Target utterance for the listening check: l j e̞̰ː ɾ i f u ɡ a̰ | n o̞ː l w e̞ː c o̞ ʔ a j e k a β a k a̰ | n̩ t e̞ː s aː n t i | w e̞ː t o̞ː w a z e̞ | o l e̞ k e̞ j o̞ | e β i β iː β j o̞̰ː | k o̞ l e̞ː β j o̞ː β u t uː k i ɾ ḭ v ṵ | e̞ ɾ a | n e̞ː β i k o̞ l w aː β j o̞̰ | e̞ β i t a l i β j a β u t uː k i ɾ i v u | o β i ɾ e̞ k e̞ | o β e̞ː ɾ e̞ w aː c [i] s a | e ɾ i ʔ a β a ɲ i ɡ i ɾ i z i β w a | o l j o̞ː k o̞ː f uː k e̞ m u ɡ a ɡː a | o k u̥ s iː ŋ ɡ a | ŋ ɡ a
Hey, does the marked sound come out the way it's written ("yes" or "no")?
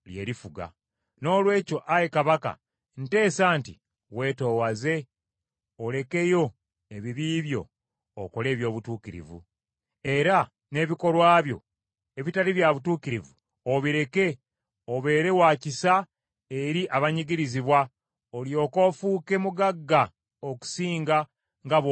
yes